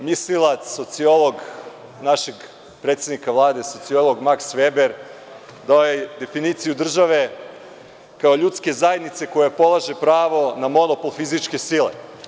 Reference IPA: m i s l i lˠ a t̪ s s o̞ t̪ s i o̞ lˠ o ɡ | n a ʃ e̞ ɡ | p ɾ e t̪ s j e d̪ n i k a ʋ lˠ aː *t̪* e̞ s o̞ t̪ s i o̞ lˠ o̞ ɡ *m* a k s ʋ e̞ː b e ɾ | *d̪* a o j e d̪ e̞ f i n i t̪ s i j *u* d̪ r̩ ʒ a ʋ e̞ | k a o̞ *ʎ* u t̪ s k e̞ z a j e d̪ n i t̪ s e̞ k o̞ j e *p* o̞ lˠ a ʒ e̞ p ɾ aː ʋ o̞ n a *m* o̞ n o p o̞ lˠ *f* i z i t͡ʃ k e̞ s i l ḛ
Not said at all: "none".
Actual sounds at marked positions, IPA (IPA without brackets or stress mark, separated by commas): d̪, m, d̪, u, ʎ, p, m, f